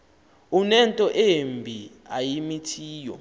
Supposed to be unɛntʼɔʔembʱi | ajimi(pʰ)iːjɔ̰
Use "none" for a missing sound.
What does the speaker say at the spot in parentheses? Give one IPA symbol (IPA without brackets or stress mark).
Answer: tʰ